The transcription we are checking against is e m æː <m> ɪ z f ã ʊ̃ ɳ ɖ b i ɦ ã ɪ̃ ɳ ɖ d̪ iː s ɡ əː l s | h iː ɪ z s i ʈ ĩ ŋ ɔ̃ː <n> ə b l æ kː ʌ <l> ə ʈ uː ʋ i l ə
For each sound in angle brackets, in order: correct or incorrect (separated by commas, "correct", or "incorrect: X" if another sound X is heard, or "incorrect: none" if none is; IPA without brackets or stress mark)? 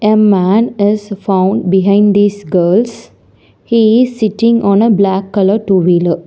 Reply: incorrect: n, correct, correct